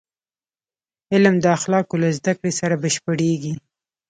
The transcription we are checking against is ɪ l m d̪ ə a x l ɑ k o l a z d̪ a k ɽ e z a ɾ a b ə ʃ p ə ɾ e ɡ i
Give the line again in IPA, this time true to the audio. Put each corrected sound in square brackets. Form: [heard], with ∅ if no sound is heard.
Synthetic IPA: ɪ l m d̪ ə a x l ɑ k o l a z d̪ a k ɽ e [s] a ɾ a b ə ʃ p ə [ɽ] e ɡ i